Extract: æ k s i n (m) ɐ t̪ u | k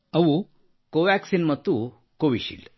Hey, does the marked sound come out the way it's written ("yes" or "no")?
yes